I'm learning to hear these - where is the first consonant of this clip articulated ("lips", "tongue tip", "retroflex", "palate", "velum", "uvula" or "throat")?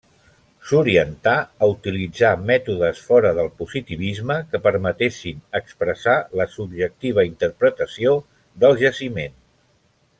tongue tip